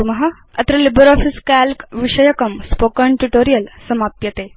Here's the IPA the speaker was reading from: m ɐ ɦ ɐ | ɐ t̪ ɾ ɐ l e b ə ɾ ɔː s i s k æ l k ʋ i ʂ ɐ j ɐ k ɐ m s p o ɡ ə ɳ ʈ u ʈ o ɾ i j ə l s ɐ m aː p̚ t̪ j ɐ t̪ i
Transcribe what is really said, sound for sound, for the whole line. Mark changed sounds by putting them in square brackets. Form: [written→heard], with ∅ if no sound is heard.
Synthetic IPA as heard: m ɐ ɦ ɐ | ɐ t̪ ɾ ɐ l [e→i] b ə ɾ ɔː [s→f] i s k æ l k ʋ i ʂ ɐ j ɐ k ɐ m s p o [ɡ→k] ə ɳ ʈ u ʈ o ɾ i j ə l s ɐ m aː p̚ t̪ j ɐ t̪ [i→e]